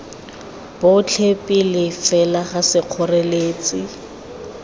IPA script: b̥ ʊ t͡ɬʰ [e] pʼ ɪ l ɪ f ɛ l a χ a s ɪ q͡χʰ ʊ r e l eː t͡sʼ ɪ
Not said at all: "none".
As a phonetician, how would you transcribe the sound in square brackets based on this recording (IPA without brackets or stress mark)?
e